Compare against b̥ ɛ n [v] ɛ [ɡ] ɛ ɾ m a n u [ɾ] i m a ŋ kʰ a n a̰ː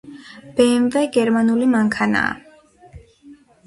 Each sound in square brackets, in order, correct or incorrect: correct, correct, incorrect: l

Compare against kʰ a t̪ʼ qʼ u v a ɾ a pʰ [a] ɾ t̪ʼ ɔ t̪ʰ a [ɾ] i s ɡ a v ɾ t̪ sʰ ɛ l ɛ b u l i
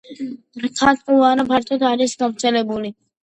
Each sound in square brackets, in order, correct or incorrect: correct, correct

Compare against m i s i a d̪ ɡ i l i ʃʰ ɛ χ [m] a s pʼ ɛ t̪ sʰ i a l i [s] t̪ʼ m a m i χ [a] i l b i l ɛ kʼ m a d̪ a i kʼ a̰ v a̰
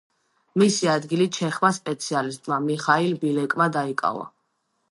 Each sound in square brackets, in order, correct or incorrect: correct, correct, correct

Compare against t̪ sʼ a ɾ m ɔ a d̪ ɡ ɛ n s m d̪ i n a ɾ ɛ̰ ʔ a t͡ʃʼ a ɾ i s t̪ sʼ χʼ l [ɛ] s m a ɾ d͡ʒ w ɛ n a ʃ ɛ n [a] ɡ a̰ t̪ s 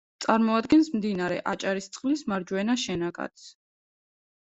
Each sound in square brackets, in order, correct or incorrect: incorrect: i, correct

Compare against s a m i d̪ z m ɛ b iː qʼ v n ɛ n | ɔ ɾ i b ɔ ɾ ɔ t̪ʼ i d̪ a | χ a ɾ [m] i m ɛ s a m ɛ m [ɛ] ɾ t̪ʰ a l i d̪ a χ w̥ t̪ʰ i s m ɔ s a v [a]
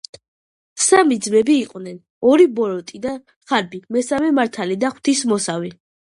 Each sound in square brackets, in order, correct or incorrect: incorrect: b, incorrect: a, incorrect: i

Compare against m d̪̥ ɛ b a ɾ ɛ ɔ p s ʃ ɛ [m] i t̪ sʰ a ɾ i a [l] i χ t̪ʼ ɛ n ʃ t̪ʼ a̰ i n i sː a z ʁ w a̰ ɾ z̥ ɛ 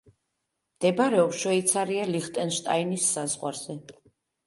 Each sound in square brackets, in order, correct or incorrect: incorrect: none, correct

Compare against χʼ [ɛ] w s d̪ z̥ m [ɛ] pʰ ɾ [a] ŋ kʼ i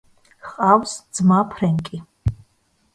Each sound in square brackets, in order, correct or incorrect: incorrect: a, incorrect: a, incorrect: ɛ

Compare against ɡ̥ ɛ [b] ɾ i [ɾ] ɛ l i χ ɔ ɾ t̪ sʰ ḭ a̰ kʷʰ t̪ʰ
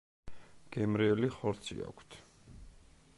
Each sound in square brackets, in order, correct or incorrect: incorrect: m, incorrect: none

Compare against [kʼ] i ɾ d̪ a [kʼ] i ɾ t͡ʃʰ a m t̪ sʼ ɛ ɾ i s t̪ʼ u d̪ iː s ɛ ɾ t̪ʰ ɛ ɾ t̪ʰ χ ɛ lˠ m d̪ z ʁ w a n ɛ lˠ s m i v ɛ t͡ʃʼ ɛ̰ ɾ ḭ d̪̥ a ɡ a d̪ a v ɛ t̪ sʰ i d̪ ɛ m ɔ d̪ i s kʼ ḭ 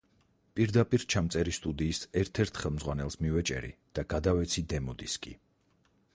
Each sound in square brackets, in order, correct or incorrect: incorrect: pʼ, incorrect: pʼ

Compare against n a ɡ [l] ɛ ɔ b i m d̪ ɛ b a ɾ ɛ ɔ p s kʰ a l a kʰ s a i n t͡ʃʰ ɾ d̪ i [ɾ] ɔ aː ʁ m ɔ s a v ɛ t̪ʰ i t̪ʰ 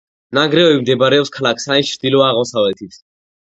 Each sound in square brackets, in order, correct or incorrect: incorrect: ɾ, incorrect: l

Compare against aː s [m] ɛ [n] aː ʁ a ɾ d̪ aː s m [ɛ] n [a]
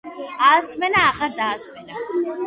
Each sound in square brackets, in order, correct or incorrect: correct, correct, correct, correct

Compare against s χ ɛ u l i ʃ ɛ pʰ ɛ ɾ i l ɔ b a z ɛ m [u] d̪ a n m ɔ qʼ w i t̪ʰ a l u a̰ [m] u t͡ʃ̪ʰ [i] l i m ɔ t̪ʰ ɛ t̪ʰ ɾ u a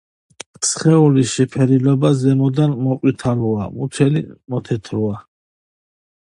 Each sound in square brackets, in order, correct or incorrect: incorrect: ɔ, correct, incorrect: ɛ

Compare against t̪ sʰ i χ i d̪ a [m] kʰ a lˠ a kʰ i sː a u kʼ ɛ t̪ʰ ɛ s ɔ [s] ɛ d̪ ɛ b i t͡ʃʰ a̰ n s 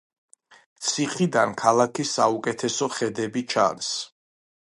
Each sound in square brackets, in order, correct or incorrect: incorrect: n, incorrect: χ

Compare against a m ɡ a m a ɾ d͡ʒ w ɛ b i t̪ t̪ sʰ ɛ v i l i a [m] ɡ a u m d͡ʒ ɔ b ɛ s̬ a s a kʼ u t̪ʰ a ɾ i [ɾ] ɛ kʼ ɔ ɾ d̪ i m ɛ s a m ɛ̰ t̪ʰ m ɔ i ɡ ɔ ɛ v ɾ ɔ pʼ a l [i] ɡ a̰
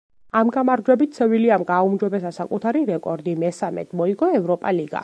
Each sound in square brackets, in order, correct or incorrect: correct, correct, correct

